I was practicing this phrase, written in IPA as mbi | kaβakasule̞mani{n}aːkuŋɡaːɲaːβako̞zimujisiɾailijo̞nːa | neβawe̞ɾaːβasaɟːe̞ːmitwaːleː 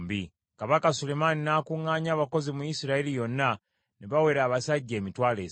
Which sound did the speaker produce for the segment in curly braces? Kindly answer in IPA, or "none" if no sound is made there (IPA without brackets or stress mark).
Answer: n